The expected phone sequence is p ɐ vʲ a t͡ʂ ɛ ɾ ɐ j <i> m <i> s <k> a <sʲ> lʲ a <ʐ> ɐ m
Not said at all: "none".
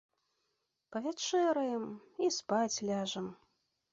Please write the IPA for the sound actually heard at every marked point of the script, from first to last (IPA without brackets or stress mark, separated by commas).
ɛ, i, p, t͡sʲ, ʐ